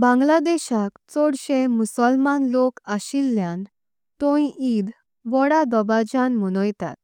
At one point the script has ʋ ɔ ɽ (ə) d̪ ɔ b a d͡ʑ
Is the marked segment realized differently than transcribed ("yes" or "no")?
yes